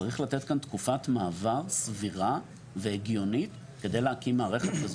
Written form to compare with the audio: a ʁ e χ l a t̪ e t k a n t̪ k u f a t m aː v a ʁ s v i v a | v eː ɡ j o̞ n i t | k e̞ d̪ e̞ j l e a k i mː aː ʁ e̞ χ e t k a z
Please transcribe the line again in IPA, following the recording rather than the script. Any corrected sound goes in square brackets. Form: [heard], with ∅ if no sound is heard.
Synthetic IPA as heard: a ʁ [i] χ l a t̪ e t k a n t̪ k u f a t m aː v a ʁ s v i [ʁ] a | v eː ɡ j o̞ n i t | k e̞ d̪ e̞ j l e a k i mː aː ʁ e̞ χ e t k a z